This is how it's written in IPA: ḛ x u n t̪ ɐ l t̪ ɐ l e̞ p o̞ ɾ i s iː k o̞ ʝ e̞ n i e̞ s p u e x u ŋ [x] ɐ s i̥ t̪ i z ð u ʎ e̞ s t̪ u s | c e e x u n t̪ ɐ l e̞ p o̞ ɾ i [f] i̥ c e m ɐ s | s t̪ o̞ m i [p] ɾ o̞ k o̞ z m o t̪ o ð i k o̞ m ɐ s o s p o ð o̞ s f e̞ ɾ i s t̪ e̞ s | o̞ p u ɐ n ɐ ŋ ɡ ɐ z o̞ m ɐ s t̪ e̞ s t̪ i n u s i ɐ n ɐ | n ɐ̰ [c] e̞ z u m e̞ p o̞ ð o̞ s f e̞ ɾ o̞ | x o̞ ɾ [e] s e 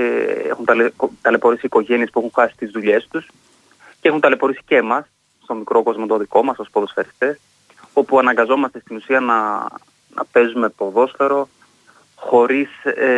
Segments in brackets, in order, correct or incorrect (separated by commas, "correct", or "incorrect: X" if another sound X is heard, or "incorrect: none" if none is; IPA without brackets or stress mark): correct, incorrect: s, incorrect: k, incorrect: p, incorrect: i